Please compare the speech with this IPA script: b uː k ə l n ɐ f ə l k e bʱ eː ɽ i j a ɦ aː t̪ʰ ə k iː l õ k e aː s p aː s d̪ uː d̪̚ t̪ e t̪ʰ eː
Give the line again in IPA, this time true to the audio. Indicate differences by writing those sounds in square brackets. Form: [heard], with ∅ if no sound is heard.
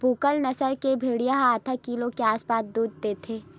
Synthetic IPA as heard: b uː k ə l n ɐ [s] ə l k e bʱ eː ɽ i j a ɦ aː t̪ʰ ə k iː l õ k e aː s p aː s d̪ uː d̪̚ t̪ e t̪ʰ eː